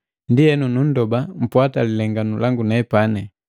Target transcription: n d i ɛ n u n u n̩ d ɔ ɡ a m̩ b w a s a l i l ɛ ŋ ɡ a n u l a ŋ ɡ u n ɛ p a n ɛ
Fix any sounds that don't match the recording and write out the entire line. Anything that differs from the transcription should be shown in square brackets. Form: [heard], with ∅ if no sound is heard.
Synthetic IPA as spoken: n d i ɛ n u n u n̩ d ɔ [b] a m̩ [p] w a [t] a l i l ɛ ŋ ɡ a n u l a ŋ ɡ u n ɛ p a n ɛ